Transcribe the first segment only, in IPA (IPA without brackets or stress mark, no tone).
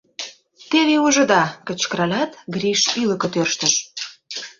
t̪